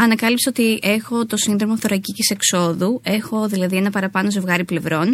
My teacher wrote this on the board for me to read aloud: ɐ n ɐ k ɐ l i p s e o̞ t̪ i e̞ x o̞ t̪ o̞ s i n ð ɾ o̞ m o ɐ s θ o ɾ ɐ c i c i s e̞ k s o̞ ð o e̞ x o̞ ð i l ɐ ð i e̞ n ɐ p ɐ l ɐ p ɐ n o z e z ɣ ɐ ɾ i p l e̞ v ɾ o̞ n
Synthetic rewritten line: ɐ n ɐ k ɐ l i p s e o̞ t̪ i e̞ x o̞ t̪ o̞ s i n ð ɾ o̞ m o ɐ f θ o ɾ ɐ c i c i s e̞ k s o̞ ð u e̞ x o̞ ð i l ɐ ð i e̞ n ɐ p ɐ ɾ ɐ p ɐ n o z e v ɣ ɐ ɾ i p l e̞ v ɾ o̞ n